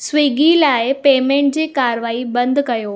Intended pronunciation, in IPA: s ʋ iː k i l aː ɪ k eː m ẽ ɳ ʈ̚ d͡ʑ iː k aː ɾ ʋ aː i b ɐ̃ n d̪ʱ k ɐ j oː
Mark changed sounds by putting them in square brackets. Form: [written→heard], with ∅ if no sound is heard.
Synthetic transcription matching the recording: s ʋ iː [k→ɡ] i l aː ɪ [k→p] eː m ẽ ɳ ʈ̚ d͡ʑ iː k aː ɾ ʋ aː i b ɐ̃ n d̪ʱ k ɐ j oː